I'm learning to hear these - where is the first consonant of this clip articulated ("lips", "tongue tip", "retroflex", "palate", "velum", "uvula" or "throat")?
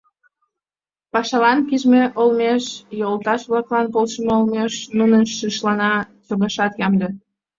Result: lips